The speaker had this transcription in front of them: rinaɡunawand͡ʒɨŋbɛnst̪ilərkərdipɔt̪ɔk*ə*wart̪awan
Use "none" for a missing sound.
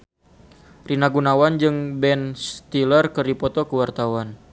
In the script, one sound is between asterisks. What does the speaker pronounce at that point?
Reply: ə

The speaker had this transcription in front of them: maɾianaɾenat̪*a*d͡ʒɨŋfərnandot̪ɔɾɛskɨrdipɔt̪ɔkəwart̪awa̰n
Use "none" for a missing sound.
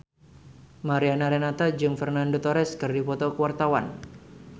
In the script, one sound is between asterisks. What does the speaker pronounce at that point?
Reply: a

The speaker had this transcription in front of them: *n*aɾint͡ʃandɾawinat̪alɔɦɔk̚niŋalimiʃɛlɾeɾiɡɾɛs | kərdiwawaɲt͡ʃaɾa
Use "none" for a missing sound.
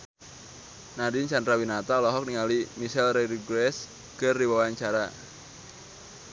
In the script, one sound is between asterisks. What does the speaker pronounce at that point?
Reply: n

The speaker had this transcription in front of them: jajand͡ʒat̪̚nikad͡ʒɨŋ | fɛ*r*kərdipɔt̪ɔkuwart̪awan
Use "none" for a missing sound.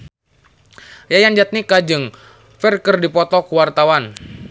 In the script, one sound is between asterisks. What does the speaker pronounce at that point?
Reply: r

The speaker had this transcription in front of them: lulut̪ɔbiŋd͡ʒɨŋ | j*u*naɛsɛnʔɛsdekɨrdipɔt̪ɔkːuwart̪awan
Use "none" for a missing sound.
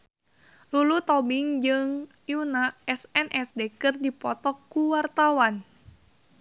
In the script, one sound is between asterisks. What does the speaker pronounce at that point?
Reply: u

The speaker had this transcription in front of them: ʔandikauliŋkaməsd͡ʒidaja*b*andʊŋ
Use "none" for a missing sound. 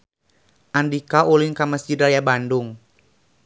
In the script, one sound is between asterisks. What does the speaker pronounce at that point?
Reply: b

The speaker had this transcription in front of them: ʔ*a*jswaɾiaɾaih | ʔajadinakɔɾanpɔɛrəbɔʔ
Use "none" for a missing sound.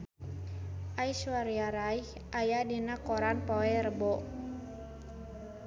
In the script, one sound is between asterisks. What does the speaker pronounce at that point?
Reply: a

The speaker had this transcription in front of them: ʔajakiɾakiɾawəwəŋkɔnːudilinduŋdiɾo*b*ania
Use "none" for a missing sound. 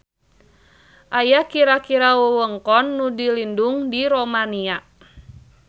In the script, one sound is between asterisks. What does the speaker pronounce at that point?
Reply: m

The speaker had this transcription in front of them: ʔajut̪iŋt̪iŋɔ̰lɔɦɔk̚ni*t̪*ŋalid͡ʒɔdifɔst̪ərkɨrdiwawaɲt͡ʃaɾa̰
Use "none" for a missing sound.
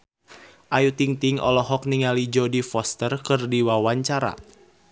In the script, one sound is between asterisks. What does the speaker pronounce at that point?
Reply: none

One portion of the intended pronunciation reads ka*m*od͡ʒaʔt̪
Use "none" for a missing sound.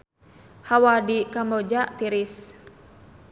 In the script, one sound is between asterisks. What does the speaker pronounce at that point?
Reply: m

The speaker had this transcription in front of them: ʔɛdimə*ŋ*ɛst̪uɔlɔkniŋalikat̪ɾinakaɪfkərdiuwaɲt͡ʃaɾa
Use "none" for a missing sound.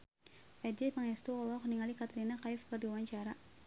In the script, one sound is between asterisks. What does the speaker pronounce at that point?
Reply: ŋ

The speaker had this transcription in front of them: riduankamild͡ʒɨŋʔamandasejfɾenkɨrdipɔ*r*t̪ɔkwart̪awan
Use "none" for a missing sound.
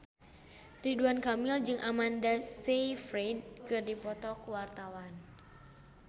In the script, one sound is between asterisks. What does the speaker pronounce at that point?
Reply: none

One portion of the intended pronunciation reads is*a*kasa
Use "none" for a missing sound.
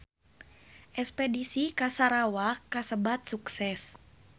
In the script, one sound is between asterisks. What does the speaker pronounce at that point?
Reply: i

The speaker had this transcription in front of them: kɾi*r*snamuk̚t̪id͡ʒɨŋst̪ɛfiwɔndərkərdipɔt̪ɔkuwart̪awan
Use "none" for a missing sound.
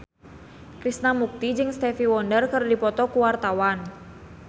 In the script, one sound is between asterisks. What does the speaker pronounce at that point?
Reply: none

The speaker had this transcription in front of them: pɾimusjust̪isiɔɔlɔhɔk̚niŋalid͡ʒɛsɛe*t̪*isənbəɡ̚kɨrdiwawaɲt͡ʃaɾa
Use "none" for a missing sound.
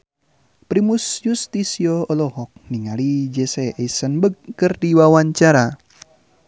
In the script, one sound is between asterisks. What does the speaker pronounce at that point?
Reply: none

